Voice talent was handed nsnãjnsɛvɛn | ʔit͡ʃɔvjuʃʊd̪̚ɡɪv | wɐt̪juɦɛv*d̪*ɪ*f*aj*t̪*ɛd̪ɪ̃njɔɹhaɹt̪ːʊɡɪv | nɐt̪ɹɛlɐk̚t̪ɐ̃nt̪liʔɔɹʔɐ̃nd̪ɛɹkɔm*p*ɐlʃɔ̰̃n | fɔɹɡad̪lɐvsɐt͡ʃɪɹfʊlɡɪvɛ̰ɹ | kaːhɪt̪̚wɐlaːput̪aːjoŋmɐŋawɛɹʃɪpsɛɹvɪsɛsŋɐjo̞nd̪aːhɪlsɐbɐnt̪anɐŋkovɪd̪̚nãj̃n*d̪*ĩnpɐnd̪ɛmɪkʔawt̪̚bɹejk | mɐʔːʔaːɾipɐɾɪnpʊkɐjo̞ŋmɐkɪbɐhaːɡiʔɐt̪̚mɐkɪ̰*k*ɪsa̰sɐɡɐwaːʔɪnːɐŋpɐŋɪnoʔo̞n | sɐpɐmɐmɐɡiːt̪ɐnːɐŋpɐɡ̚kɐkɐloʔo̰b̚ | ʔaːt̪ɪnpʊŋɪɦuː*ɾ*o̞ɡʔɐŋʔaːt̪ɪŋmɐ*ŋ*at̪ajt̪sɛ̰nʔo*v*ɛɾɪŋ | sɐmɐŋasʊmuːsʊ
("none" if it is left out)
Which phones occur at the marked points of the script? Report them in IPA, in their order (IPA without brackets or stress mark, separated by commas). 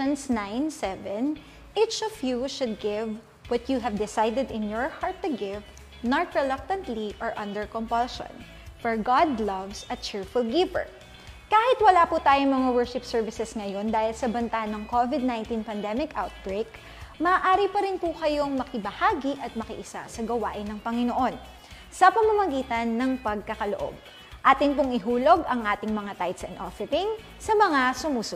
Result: d̪, s, d̪, p, t̪, ʔ, l, ŋ, f